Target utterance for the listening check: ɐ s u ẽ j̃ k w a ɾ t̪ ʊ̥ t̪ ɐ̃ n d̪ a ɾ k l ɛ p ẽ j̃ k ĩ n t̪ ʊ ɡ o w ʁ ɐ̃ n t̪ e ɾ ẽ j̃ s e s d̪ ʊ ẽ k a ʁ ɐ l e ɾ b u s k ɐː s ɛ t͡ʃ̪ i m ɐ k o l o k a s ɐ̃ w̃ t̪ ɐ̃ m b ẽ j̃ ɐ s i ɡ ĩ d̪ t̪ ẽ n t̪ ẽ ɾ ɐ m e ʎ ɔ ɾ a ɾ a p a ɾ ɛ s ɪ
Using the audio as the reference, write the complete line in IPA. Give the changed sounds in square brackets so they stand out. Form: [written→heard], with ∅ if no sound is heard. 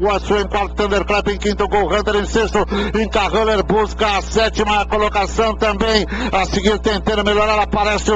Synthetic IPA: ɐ s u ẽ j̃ k w a ɾ t̪ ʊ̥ t̪ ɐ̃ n d̪ [a→e] ɾ k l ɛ p ẽ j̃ k ĩ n t̪ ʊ ɡ o w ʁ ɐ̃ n [t̪→d̪] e ɾ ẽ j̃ s e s [d̪→t̪] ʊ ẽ k a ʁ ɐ l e ɾ b u s k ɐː s ɛ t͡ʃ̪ i m ɐ k o l o k a s ɐ̃ w̃ t̪ ɐ̃ m b ẽ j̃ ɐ s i ɡ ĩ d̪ t̪ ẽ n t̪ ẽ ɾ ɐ m e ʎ ɔ ɾ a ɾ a p a ɾ ɛ s ɪ